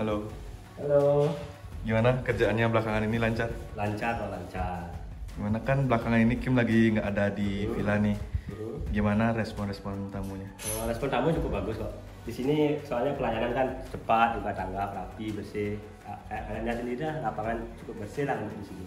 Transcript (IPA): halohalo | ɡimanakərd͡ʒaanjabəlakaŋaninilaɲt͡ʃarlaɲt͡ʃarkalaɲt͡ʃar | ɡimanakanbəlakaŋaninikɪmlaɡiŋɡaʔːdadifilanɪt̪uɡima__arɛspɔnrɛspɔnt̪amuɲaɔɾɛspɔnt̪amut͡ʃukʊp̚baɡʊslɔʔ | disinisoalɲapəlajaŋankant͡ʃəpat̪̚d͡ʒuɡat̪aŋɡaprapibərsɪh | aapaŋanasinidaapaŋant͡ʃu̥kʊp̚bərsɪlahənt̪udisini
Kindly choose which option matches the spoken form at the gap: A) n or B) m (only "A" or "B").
A